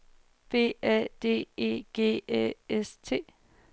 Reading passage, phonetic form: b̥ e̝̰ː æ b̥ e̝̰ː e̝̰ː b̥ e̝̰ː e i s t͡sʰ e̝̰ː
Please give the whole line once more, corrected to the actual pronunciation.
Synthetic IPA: b̥ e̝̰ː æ d̥ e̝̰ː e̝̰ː ɡ̥ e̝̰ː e e s t͡sʰ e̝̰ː